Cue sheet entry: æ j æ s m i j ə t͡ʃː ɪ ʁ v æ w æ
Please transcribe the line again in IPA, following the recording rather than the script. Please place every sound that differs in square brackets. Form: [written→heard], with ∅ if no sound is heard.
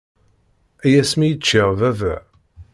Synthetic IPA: æ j æ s m i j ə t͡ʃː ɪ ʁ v æ [w→v] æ